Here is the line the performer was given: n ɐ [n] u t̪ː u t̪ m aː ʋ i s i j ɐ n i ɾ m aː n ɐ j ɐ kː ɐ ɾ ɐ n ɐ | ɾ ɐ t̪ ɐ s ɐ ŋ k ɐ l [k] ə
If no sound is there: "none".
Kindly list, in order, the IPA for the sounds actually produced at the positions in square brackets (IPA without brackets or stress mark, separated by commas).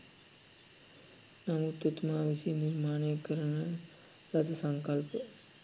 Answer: m, p